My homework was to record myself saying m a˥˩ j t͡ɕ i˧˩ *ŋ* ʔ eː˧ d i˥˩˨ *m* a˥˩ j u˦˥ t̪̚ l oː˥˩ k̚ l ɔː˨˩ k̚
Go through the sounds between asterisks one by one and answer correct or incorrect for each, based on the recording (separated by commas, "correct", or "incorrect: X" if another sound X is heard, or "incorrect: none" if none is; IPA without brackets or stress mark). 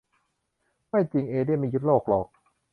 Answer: correct, correct